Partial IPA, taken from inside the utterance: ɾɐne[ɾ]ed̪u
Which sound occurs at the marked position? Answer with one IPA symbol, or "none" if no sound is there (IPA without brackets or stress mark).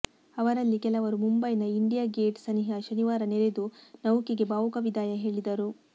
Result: ɾ